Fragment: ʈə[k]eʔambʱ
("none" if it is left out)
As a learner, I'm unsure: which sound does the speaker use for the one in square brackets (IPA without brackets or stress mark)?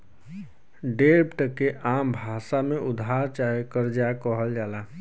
k